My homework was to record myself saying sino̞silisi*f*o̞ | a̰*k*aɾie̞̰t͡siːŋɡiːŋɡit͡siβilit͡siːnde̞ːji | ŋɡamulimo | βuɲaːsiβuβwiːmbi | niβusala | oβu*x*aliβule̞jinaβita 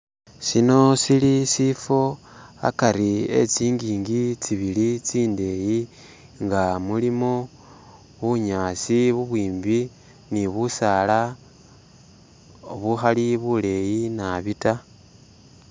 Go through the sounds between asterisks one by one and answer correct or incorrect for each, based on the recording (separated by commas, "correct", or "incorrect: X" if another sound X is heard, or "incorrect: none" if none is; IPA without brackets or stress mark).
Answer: correct, correct, correct